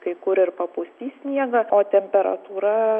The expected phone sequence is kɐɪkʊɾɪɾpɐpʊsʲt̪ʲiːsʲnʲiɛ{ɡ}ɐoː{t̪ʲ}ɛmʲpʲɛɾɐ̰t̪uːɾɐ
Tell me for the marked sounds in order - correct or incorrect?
correct, correct

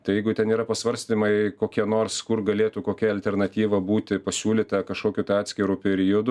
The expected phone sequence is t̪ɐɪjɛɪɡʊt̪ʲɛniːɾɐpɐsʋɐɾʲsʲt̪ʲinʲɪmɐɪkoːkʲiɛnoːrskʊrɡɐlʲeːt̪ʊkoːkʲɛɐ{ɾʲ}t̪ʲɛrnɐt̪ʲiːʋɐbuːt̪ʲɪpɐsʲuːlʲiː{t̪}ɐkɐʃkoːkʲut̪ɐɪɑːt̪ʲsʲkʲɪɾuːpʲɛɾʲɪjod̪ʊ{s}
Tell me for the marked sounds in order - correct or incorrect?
incorrect, correct, incorrect

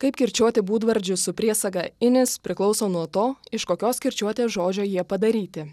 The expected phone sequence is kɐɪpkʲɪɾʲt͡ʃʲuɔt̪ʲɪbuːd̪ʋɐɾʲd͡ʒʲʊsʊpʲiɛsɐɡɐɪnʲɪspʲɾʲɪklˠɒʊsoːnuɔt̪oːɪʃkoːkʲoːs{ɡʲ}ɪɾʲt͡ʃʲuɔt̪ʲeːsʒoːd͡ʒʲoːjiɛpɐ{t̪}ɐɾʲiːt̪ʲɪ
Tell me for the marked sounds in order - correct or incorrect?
incorrect, incorrect

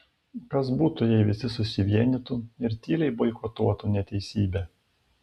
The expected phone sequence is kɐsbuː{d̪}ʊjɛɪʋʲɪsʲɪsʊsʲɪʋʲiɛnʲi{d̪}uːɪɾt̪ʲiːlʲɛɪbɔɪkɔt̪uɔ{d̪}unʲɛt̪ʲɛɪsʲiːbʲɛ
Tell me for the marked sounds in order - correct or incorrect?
incorrect, incorrect, incorrect

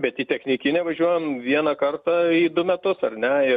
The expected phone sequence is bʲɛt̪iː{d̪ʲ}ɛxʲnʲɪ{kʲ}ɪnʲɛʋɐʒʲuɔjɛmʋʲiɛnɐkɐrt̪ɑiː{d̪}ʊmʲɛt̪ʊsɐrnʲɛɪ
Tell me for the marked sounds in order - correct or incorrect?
incorrect, correct, correct

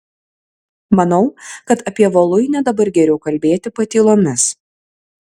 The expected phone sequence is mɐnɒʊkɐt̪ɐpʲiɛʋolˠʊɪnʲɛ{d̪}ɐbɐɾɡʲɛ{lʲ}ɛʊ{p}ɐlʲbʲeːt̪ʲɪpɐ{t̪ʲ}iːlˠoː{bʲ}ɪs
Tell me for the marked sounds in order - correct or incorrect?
correct, incorrect, incorrect, correct, incorrect

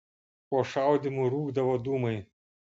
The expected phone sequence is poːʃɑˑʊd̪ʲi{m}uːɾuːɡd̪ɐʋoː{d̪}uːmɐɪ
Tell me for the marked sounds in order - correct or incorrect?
correct, correct

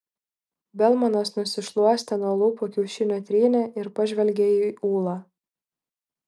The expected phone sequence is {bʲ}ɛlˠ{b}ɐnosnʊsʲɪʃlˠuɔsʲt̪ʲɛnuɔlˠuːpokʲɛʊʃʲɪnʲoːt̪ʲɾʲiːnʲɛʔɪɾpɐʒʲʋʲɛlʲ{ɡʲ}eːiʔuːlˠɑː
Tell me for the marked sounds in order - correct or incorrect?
correct, incorrect, correct

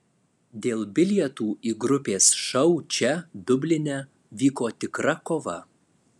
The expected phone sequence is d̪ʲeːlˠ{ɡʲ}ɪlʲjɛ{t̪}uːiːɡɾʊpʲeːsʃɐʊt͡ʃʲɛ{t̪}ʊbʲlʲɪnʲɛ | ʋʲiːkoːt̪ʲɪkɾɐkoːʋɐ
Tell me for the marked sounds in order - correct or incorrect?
incorrect, correct, incorrect

